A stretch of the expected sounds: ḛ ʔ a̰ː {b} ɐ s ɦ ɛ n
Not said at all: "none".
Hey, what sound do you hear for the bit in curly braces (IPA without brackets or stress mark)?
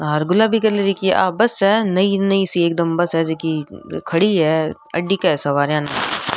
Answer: b